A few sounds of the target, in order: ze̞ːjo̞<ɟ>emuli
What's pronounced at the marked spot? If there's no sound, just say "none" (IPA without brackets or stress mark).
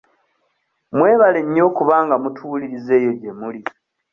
ɟ